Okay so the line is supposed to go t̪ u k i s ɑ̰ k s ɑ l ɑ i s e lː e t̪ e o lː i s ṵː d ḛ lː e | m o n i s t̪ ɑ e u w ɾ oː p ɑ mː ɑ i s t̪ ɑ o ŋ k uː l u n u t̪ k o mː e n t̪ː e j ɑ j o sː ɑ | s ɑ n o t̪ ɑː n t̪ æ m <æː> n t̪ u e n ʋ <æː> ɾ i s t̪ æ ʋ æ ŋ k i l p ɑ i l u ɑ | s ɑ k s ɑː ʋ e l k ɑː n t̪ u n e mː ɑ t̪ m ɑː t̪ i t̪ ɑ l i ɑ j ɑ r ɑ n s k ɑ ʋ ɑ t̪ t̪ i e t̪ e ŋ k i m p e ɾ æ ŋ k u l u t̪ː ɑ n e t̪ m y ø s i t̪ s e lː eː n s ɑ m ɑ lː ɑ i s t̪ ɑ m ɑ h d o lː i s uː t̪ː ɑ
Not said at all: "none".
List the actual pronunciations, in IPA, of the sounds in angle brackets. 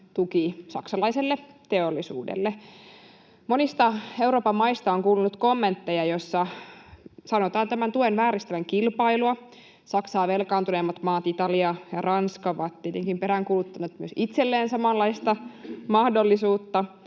æ, æː

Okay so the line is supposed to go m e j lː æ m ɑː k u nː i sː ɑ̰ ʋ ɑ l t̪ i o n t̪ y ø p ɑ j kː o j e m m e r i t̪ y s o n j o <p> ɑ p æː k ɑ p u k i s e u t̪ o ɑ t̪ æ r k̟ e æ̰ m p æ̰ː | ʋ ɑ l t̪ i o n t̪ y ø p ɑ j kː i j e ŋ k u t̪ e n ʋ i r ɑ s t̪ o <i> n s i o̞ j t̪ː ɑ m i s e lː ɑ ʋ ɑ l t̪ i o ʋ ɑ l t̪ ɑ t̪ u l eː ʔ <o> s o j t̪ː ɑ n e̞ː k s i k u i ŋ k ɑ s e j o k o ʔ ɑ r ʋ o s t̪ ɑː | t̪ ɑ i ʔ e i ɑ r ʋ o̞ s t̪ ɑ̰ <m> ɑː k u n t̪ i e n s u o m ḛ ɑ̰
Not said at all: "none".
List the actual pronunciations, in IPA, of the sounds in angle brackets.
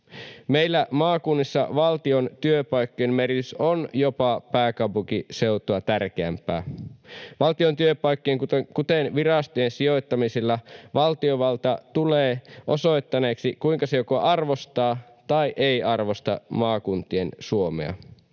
p, e, o, m

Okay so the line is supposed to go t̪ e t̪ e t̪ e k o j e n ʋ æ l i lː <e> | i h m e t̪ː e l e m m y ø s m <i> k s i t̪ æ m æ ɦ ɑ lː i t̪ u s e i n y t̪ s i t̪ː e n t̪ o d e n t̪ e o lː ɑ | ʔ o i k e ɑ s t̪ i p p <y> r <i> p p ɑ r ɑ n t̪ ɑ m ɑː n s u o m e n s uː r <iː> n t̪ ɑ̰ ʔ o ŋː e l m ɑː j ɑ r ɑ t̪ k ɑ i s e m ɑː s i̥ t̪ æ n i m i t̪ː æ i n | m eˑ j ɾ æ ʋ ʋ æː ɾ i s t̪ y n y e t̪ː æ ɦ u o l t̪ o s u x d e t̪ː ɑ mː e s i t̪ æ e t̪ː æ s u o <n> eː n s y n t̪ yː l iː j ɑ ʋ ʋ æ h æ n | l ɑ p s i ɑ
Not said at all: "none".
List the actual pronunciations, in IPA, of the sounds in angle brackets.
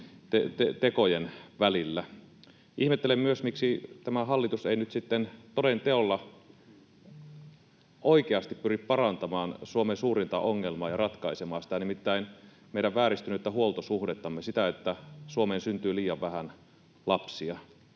æ, i, y, i, i, m

